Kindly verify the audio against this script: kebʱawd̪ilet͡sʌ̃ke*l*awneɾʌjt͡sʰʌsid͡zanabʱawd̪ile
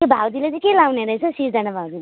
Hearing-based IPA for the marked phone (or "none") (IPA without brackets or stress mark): l